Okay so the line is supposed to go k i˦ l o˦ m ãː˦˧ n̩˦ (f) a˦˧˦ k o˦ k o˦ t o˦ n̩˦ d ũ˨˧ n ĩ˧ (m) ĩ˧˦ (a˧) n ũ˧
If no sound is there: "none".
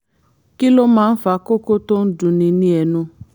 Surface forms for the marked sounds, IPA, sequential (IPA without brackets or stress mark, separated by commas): f, n, ɛ˧